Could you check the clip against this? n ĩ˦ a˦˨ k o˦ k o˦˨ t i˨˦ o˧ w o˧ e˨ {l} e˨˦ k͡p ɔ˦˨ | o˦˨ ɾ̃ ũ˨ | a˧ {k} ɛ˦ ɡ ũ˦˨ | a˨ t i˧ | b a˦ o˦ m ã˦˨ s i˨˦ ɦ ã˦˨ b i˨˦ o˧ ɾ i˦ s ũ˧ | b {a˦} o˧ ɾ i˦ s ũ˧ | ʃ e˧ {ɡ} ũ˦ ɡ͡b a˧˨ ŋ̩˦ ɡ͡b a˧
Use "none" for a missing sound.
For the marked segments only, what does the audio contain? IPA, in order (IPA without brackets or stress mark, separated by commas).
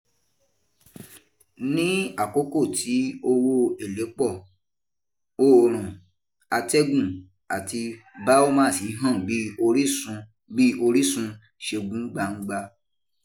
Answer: l, t, i˦, ɡ